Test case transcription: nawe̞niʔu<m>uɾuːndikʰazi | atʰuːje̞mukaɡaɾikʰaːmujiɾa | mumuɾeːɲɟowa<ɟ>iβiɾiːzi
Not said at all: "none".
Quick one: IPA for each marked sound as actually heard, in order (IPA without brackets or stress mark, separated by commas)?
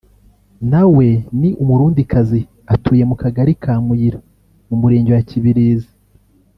m, c